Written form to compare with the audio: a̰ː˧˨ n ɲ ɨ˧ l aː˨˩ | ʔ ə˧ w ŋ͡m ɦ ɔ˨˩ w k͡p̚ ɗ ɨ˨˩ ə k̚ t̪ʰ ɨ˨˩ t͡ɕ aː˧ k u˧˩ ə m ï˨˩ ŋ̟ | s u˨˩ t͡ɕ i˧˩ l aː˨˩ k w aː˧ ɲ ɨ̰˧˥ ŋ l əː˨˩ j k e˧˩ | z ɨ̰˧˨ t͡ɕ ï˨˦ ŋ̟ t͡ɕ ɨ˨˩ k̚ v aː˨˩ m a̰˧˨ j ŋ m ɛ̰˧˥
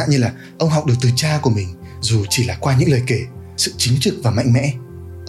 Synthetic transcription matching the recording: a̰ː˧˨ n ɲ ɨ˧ l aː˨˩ | ʔ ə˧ w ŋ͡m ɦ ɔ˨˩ w k͡p̚ ɗ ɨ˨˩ ə k̚ t̪ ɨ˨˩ t͡ɕ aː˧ k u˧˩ ə m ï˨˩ ŋ̟ | z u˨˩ t͡ɕ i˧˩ l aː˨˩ k w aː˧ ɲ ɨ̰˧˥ ŋ l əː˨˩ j k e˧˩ | s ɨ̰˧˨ t͡ɕ ï˨˦ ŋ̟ t͡ɕ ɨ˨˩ k̚ v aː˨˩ m a̰˧˨ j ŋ m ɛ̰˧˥